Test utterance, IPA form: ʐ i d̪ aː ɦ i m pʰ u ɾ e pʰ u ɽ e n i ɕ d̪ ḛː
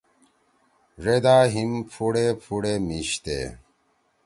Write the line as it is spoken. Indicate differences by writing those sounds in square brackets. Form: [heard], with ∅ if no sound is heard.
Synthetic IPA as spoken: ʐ [e] d̪ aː ɦ i m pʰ u [ɽ] e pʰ u ɽ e [m] i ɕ [t̪] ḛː